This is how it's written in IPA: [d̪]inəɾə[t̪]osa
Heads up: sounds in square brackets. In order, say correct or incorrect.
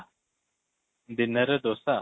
correct, incorrect: d̪

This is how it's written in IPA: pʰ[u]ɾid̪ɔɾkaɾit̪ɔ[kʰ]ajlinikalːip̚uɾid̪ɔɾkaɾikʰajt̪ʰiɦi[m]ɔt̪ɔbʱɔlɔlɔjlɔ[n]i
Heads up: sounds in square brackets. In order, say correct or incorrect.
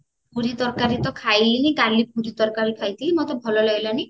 correct, correct, correct, correct

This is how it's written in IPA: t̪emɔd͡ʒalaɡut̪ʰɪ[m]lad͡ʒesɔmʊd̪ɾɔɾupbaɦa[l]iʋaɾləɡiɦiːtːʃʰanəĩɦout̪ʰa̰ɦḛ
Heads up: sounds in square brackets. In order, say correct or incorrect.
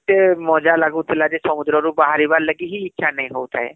incorrect: none, incorrect: ɾ

